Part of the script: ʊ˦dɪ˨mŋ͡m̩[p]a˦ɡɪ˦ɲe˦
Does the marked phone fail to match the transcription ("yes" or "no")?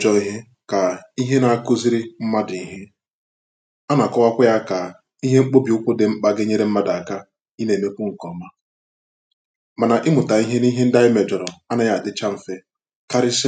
yes